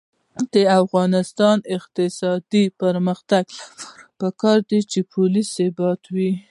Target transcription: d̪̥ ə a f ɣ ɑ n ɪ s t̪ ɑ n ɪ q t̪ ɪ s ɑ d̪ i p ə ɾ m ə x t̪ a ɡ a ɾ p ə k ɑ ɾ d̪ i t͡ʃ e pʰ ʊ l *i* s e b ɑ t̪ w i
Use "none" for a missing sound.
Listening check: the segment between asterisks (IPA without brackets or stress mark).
i